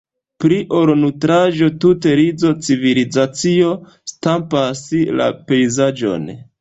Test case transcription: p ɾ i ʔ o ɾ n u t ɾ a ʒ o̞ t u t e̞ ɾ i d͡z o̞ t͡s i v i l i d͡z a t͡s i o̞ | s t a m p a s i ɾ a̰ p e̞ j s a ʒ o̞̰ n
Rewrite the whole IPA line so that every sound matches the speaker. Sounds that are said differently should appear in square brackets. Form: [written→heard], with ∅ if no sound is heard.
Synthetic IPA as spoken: p ɾ i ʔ o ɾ n u t ɾ a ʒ o̞ t u t e̞ ɾ i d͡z o̞ t͡s i v i l i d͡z a t͡s i o̞ | s t a m p a s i [ɾ→l] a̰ p e̞ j [s→z] a [ʒ→d͡ʒ] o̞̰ n